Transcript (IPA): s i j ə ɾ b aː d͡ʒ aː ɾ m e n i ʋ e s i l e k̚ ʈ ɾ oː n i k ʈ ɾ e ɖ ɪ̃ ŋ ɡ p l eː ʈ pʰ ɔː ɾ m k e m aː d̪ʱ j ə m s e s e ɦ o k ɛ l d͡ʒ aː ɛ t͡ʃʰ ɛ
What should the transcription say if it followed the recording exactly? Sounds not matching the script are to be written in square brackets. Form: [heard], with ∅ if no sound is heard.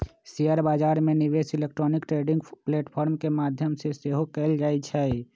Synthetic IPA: s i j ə ɾ b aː d͡ʒ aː ɾ m e n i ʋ e s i l e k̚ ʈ ɾ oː n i k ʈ ɾ e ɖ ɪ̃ ŋ ɡ p l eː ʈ pʰ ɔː ɾ m k e m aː d̪ʱ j ə m s e s e ɦ o k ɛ l d͡ʒ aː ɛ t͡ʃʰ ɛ